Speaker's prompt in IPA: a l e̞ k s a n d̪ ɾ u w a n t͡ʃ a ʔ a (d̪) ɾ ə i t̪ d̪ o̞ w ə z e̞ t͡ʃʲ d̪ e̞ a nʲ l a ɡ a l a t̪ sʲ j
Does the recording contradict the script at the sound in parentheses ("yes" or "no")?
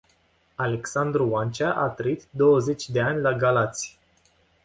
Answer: yes